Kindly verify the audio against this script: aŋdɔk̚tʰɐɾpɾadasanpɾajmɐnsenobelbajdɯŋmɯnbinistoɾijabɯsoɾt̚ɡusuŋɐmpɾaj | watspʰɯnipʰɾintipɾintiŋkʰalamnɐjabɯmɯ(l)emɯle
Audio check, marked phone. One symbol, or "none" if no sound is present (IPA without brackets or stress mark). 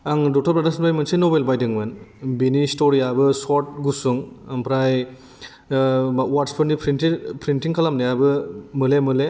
l